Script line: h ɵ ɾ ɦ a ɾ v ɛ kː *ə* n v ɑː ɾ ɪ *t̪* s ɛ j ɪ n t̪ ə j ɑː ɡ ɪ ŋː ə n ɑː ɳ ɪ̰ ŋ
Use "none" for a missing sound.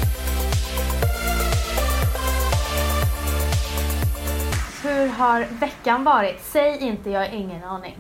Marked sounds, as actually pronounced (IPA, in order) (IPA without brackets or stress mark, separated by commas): a, t̪